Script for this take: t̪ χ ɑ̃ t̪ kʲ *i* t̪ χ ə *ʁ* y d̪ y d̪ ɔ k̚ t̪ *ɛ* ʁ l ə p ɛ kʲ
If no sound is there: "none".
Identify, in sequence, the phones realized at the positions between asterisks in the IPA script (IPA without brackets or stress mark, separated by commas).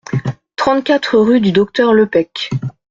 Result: a, ʁ, œ